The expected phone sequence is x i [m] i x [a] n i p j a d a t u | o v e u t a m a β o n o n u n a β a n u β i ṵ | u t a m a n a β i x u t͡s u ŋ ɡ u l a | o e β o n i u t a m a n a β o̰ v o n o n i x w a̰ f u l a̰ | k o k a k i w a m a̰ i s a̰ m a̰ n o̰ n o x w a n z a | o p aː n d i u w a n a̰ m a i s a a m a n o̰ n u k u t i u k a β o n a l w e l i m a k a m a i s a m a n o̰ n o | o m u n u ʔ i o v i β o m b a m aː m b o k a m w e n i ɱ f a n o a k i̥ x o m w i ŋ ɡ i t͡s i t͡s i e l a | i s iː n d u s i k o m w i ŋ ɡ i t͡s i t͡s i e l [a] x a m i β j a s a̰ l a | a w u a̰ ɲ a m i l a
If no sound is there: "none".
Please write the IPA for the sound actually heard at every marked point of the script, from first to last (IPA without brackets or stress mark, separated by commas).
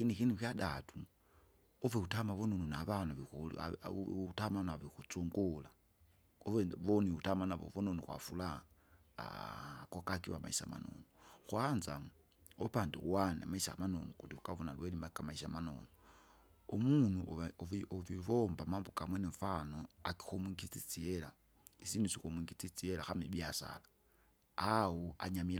n, i, a